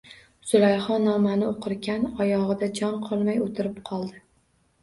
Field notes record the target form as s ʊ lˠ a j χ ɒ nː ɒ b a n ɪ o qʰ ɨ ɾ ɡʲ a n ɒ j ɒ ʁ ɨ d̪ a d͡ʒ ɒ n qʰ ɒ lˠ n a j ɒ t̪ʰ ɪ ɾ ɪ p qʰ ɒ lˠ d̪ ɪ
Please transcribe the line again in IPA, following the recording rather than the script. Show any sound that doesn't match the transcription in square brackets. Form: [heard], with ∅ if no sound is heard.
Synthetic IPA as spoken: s ʊ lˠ a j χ ɒ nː ɒ [m] a n ɪ o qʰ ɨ ɾ ɡʲ a n ɒ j ɒ ʁ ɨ d̪ a d͡ʒ ɒ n qʰ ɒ lˠ [m] a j [o] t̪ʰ ɪ ɾ ɪ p qʰ ɒ lˠ d̪ ɪ